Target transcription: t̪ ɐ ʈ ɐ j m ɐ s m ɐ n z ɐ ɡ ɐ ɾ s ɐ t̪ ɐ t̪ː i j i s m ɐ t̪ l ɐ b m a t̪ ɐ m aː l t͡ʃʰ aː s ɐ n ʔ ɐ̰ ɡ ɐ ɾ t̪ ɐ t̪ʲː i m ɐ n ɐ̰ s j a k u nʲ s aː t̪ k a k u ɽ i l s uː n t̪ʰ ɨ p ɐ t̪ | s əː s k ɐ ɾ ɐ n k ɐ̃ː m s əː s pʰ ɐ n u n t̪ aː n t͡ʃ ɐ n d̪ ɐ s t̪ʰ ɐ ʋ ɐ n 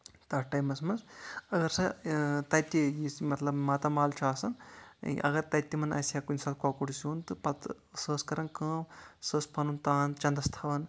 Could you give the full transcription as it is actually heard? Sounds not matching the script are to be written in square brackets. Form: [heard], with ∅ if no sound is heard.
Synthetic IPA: t̪ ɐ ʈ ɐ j m ɐ s m ɐ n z ɐ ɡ ɐ ɾ s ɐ t̪ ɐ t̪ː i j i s m ɐ t̪ l ɐ b m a t̪ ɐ m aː l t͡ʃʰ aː s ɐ n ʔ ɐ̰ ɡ ɐ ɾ t̪ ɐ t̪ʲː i m ɐ n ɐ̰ s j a k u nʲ s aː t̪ k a k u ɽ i [∅] s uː n [t̪] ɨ p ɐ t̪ | s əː s k ɐ ɾ ɐ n k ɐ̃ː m s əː s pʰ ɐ n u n t̪ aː n t͡ʃ ɐ n d̪ ɐ s t̪ʰ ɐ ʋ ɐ n